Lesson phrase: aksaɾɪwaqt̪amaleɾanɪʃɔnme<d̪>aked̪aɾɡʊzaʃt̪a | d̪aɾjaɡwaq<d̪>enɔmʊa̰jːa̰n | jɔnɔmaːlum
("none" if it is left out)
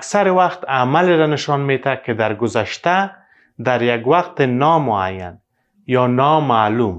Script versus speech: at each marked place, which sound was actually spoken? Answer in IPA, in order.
t̪, t̪

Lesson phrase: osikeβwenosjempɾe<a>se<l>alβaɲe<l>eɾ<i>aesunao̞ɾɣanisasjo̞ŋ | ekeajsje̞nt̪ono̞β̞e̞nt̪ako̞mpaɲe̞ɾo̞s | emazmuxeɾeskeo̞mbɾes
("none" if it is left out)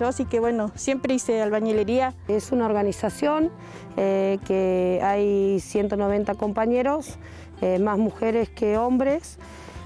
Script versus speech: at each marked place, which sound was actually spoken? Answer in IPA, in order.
i, none, l, i

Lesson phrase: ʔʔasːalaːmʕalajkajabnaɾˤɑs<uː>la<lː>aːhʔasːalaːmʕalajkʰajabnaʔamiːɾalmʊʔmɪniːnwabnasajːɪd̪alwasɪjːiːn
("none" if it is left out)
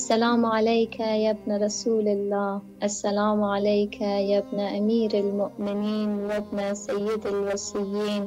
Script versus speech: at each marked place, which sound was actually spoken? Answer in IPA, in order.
uː, lː

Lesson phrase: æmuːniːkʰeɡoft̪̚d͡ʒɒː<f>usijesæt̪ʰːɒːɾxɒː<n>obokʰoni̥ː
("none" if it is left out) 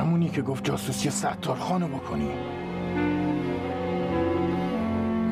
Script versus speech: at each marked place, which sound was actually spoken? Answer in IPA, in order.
s, n

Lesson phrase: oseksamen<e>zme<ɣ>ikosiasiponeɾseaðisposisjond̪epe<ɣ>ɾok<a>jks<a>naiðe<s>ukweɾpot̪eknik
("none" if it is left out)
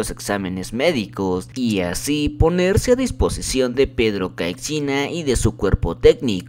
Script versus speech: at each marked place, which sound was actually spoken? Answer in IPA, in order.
e, ð, ð, a, i, s

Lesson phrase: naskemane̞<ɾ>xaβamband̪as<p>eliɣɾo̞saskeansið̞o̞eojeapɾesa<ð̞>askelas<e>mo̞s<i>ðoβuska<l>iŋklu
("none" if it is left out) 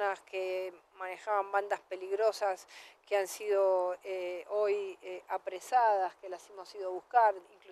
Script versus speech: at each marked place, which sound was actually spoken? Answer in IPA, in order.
none, p, ð̞, e, i, ɾ

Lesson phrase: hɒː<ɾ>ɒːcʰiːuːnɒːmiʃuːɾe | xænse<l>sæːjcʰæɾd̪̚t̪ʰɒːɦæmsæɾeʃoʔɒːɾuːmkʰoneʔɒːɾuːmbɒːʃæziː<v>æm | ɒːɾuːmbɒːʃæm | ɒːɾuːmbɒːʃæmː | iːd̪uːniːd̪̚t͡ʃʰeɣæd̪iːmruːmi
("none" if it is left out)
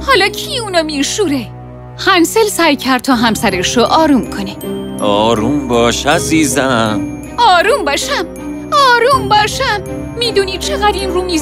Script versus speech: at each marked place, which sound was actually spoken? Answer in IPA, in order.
l, l, z

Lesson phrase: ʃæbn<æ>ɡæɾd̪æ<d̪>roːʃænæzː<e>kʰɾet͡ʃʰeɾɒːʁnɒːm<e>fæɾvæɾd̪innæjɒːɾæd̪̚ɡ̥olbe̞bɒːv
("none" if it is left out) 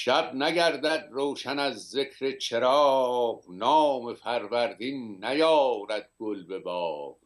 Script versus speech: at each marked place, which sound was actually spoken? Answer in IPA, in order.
æ, d̪, e, e

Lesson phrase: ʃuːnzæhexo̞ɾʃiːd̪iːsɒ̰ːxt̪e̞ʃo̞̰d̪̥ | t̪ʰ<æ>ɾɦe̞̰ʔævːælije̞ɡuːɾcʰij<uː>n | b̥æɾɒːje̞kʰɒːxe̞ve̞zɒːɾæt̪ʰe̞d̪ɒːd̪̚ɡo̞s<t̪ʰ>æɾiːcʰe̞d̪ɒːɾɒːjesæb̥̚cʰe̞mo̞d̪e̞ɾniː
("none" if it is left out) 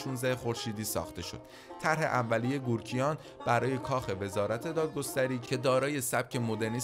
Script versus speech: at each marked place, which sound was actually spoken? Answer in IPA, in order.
æ, ɒː, t̪

